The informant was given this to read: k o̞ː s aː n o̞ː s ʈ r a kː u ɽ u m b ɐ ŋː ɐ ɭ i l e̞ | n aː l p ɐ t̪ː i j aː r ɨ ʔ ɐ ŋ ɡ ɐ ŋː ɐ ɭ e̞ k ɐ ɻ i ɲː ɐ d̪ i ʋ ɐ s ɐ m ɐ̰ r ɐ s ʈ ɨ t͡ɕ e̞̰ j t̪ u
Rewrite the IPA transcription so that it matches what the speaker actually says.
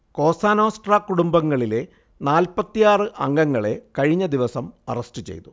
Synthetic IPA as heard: k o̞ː s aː n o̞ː s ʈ r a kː u ɽ u m b ɐ ŋː ɐ ɭ i l e̞ | n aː l p ɐ t̪ː i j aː r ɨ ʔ ɐ ŋ ɡ ɐ ŋː ɐ ɭ e̞ k ɐ ɻ i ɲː ɐ d̪ i ʋ ɐ s ɐ m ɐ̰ r ɐ s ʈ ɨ t͡ɕ e̞̰ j t̪ u

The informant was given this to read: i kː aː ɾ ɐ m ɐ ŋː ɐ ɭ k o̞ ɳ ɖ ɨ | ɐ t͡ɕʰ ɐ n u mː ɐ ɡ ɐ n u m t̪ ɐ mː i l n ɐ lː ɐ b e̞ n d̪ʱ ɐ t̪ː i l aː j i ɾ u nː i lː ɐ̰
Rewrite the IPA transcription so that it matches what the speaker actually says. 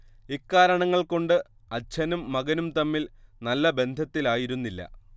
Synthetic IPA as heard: i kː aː ɾ ɐ ɳ ɐ ŋː ɐ ɭ k o̞ ɳ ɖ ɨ | ɐ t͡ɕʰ ɐ n u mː ɐ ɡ ɐ n u m t̪ ɐ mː i l n ɐ lː ɐ b e̞ n d̪ʱ ɐ t̪ː i l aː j i ɾ u nː i lː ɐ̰

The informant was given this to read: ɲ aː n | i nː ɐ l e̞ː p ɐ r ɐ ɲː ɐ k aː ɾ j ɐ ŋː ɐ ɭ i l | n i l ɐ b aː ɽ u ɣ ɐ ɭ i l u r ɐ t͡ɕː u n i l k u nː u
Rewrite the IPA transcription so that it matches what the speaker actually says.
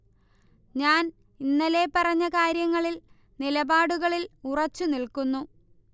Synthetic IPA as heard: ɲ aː n | i nː ɐ l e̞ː p ɐ r ɐ ɲː ɐ k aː ɾ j ɐ ŋː ɐ ɭ i l | n i l ɐ b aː ɽ u ɣ ɐ ɭ i l u r ɐ t͡ɕː u n i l k u nː u

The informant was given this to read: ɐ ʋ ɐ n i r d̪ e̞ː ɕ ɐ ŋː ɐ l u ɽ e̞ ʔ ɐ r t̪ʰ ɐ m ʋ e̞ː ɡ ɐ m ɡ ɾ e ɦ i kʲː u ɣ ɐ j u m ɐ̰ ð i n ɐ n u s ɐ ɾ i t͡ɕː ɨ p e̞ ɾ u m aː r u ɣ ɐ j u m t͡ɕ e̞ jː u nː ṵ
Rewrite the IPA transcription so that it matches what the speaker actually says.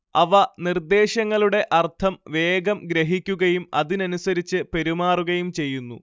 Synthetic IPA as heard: ɐ ʋ ɐ n i r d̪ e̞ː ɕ ɐ ŋː ɐ ɭ u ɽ e̞ ʔ ɐ r t̪ʰ ɐ m ʋ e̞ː ɡ ɐ m ɡ ɾ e ɦ i kʲː u ɣ ɐ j u m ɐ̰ ð i n ɐ n u s ɐ ɾ i t͡ɕː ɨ p e̞ ɾ u m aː r u ɣ ɐ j u m t͡ɕ e̞ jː u nː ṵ

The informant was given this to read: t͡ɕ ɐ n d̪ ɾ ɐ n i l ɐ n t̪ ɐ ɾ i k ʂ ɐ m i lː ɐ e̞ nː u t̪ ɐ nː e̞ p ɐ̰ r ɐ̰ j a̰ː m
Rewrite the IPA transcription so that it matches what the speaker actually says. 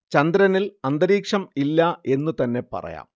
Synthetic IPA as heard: t͡ɕ ɐ n d̪ ɾ ɐ n i l ɐ n d̪ ɐ ɾ iː k ʂ ɐ m i lː ɐ e̞ nː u t̪ ɐ nː e̞ p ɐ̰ r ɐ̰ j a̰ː m

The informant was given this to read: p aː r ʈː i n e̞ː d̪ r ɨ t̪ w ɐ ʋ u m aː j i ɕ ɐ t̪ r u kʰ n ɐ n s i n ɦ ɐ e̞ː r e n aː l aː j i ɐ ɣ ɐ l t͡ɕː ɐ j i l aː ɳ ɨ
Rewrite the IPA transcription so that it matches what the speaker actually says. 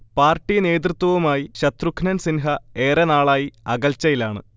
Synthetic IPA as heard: p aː r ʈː i n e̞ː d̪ r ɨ t̪ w ɐ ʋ u m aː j i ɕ ɐ t̪ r u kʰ n ɐ n s i n ɦ ɐ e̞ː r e n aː ɭ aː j i ɐ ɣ ɐ l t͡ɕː ɐ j i l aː ɳ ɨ

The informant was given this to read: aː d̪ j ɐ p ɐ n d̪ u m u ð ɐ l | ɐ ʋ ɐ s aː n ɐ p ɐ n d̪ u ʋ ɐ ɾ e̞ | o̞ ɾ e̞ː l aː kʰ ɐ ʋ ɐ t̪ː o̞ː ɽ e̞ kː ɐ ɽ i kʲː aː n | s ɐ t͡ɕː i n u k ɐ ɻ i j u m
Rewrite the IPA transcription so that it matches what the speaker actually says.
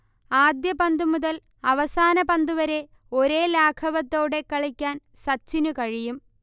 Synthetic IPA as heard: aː d̪ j ɐ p ɐ n d̪ u m u ð ɐ l | ɐ ʋ ɐ s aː n ɐ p ɐ n d̪ u ʋ ɐ ɾ e̞ | o̞ ɾ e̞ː l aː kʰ ɐ ʋ ɐ t̪ː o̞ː ɽ e̞ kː ɐ ɭ i kʲː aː n | s ɐ t͡ɕː i n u k ɐ ɻ i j u m

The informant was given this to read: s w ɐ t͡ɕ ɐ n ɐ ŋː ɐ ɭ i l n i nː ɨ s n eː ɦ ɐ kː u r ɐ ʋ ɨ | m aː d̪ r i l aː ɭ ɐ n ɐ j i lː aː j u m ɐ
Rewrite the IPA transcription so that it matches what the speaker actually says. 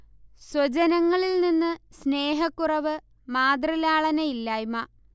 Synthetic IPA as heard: s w ɐ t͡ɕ ɐ n ɐ ŋː ɐ ɭ i l n i nː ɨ s n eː ɦ ɐ kː u r ɐ ʋ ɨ | m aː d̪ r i l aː ɭ ɐ n ɐ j i lː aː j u m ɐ

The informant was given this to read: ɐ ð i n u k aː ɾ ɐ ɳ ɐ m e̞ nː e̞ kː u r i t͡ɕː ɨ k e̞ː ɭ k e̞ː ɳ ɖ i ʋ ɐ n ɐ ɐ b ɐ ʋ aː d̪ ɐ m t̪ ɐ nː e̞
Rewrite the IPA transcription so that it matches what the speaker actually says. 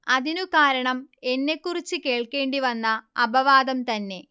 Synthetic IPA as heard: ɐ ð i n u k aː ɾ ɐ ɳ ɐ m e̞ nː e̞ kː u r i t͡ɕː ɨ k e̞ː ɭ k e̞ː ɳ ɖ i ʋ ɐ nː ɐ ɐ b ɐ ʋ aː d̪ ɐ m t̪ ɐ nː e̞

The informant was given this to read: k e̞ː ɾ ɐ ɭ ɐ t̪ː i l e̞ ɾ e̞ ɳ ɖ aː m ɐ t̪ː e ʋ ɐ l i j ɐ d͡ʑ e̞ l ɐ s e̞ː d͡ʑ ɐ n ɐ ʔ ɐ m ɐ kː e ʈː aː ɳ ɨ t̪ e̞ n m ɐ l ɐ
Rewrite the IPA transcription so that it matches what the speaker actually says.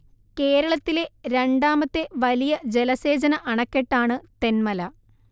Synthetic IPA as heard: k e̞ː ɾ ɐ ɭ ɐ t̪ː i l e̞ ɾ e̞ ɳ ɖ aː m ɐ t̪ː e ʋ ɐ l i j ɐ d͡ʑ e̞ l ɐ s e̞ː d͡ʑ ɐ n ɐ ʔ ɐ ɳ ɐ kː e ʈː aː ɳ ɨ t̪ e̞ n m ɐ l ɐ

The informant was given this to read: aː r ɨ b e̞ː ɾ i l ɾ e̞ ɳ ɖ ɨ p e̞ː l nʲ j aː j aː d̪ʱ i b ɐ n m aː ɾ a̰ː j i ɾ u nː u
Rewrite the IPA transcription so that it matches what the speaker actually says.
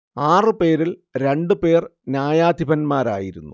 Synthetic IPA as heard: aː r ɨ p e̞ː ɾ i l ɾ e̞ ɳ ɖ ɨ p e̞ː r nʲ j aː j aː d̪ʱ i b ɐ n m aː ɾ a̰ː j i ɾ u nː u

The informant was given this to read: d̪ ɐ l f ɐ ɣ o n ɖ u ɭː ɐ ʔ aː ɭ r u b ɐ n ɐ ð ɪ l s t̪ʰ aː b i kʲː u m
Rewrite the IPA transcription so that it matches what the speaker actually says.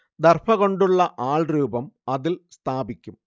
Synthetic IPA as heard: d̪ ɐ r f ɐ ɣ o ɳ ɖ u ɭː ɐ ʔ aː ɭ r uː b ɐ m ɐ ð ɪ l s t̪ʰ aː b i kʲː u m

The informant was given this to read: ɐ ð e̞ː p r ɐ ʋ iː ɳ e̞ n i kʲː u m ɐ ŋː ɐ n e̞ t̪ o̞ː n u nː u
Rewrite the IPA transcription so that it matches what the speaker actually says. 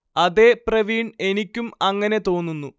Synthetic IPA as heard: ɐ ð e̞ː p r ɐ ʋ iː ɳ e̞ n i kʲː u m ɐ ŋː ɐ n e̞ t̪ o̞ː nː u nː u

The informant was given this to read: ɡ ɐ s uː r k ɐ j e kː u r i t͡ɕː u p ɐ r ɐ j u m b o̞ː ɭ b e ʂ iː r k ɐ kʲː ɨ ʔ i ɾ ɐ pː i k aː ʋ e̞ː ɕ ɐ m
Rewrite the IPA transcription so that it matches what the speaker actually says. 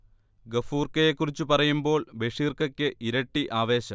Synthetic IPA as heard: ɡ ɐ f uː r k ɐ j e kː u r i t͡ɕː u p ɐ r ɐ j u m b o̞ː ɭ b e ʂ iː r k ɐ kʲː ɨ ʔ i ɾ ɐ ʈː i ʔ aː ʋ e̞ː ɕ ɐ m

